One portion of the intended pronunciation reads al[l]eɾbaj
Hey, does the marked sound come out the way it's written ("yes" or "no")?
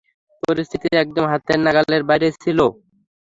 yes